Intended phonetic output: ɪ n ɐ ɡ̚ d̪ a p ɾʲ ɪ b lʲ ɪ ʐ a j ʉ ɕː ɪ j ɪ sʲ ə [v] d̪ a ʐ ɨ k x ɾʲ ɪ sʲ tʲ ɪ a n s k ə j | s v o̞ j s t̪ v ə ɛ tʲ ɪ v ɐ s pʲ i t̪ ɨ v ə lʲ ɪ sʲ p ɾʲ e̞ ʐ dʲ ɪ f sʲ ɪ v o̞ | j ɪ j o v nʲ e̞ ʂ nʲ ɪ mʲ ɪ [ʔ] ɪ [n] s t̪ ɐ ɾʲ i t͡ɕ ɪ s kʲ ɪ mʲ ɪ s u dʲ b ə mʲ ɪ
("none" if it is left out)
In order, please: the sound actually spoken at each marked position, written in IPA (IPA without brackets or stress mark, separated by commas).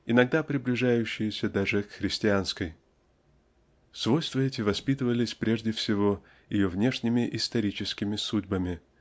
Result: none, ʔ, none